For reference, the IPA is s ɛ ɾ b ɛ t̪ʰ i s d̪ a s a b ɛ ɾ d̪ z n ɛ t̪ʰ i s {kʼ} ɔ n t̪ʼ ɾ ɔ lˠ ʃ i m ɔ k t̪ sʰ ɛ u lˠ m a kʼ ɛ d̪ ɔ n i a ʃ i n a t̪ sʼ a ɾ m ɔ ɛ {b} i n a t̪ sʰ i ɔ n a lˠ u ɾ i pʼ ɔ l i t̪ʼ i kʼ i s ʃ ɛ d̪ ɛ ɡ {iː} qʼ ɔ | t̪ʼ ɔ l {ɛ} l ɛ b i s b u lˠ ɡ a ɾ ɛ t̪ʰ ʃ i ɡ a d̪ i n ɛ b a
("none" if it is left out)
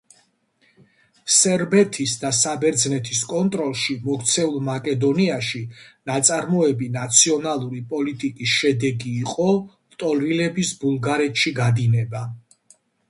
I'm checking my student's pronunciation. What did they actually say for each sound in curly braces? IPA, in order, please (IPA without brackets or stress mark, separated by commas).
kʼ, b, iː, i